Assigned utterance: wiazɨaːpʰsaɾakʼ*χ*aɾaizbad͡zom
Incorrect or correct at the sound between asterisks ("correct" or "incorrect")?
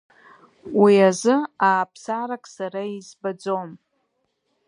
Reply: incorrect